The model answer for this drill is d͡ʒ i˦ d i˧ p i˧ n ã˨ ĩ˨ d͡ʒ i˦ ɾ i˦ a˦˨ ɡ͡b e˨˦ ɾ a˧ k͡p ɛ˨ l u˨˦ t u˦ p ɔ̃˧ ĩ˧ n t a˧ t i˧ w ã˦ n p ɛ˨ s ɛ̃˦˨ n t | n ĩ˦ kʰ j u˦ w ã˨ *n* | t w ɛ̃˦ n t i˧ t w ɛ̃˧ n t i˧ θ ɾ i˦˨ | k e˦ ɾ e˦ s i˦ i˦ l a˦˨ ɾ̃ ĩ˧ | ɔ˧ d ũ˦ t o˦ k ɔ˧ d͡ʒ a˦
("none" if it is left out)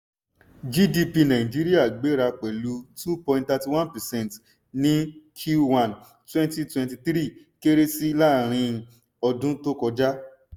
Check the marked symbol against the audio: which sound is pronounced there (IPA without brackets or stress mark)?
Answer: n